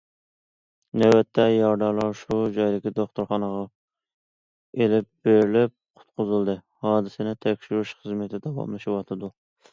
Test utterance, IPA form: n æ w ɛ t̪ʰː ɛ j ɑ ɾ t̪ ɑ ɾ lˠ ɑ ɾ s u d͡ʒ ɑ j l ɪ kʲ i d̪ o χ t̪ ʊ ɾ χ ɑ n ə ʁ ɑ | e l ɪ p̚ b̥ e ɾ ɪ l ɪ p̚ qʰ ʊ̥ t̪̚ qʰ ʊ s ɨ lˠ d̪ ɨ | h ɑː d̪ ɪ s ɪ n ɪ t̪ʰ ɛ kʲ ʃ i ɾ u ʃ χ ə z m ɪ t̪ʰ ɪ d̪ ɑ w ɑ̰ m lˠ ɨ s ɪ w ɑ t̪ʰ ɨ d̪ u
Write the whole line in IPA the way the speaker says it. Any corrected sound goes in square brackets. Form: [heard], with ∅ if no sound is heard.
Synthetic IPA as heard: n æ w ɛ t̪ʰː ɛ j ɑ ɾ [d̪] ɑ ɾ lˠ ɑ ɾ [ʃ] u d͡ʒ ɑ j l ɪ kʲ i d̪ o χ t̪ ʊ ɾ χ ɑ n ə ʁ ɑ | e l ɪ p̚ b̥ e ɾ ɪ l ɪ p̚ qʰ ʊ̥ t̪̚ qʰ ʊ [z] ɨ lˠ d̪ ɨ | h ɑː d̪ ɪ s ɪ n ɪ t̪ʰ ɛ kʲ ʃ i ɾ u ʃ χ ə z m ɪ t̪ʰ ɪ d̪ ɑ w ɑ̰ m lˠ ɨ [ʃ] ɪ w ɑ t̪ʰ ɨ d̪ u